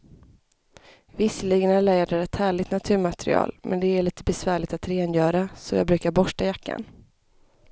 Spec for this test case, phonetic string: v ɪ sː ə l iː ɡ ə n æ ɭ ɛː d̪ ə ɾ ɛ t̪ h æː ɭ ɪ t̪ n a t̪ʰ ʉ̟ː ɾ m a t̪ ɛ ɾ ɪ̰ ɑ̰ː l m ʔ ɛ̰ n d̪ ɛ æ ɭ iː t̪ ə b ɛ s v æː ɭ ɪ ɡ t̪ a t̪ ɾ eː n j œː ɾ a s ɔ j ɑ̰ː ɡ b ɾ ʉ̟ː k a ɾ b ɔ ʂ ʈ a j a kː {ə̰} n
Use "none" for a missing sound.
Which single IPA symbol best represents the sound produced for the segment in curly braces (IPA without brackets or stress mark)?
a̰